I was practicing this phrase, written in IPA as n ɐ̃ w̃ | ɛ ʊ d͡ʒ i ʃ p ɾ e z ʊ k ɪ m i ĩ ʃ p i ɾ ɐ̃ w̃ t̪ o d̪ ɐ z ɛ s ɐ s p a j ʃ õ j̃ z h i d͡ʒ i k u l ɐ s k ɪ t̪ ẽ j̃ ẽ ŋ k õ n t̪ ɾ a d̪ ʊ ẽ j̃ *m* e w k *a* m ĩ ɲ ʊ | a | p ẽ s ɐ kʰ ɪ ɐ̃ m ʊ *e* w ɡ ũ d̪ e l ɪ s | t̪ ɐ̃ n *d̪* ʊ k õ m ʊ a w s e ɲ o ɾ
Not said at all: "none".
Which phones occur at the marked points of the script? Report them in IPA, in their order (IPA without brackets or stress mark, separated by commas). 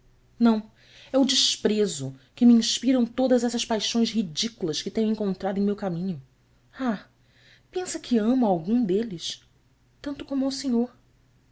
m, a, a, t̪